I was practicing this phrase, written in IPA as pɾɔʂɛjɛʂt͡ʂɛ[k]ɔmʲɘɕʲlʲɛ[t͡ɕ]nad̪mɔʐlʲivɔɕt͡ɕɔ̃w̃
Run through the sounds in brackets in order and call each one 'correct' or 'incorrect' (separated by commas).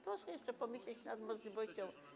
incorrect, correct